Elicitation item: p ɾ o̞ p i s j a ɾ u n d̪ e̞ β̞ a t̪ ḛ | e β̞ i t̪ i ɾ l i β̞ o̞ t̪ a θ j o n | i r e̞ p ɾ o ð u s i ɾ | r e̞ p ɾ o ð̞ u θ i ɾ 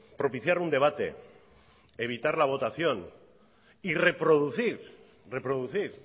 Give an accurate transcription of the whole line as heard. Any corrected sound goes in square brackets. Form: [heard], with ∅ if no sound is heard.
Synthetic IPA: p ɾ o̞ p i [θ] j a ɾ u n d̪ e̞ β̞ a t̪ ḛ | e β̞ i t̪ [a] ɾ l [a] β̞ o̞ t̪ a θ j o n | i r e̞ p ɾ o ð u [θ] i ɾ | r e̞ p ɾ o ð̞ u θ i ɾ